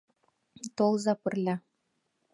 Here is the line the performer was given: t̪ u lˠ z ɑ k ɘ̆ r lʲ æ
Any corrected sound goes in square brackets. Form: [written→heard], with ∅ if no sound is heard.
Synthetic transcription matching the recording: t̪ [u→o] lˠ z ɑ [k→p] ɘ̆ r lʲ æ